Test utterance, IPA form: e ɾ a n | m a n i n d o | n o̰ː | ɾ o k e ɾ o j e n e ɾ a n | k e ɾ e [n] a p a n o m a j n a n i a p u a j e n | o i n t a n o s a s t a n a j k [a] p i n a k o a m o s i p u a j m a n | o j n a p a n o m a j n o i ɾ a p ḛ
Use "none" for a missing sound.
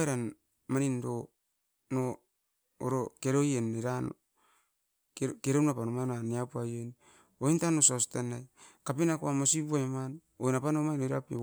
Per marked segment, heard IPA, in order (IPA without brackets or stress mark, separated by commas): n, a